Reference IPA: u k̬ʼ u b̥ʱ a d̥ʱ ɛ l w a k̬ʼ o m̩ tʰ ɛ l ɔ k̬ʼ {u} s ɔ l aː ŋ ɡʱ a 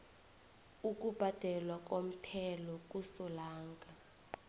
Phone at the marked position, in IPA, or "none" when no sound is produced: u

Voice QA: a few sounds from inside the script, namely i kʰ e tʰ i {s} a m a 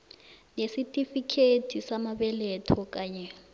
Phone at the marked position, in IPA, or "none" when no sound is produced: s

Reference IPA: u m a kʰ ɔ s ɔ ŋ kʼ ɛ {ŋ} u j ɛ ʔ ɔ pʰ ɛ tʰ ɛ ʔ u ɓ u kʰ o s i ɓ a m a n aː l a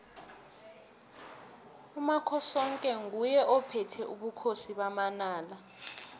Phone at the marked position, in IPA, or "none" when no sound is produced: ŋ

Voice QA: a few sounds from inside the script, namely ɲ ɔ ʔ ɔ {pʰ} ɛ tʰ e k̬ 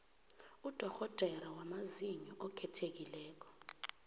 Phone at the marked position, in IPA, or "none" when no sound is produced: kʰ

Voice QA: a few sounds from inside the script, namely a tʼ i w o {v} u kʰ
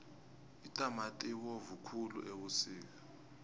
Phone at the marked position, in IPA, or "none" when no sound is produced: v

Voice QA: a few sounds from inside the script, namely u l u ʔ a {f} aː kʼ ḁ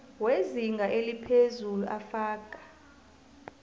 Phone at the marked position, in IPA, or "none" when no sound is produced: f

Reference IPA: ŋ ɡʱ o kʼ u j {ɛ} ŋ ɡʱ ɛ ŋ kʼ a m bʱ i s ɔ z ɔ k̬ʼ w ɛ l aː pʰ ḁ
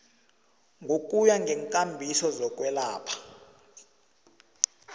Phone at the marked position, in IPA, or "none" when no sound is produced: a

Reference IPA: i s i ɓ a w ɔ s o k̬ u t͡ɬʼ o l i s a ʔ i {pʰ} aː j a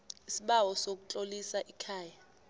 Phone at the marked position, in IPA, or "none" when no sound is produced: kʰ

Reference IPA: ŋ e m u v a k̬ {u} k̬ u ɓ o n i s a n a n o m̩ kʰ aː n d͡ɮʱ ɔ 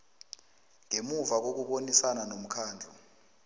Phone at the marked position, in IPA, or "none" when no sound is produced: o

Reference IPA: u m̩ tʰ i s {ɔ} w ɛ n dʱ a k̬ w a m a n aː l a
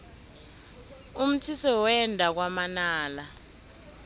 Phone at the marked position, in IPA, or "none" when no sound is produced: ɔ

